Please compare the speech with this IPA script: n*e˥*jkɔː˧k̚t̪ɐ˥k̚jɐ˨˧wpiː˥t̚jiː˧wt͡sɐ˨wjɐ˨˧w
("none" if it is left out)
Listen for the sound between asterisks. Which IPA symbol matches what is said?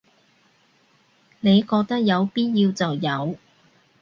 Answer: e˨˧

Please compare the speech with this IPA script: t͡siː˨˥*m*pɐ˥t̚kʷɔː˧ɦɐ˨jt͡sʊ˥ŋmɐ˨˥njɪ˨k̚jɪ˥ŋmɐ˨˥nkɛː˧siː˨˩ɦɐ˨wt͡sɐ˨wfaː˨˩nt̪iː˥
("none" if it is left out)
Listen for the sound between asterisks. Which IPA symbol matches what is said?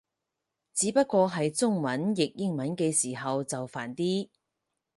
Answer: none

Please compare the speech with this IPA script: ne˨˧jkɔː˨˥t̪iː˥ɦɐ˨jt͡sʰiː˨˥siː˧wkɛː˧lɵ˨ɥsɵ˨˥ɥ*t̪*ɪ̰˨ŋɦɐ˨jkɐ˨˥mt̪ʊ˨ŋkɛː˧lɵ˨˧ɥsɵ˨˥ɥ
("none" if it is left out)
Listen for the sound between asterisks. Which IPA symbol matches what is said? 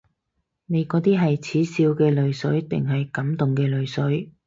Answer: t̪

